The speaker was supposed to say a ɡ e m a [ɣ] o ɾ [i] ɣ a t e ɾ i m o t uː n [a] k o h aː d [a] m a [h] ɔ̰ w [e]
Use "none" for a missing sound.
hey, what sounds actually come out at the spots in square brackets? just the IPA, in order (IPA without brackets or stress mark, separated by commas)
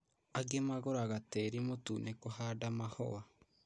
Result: ɣ, a, e, a, h, a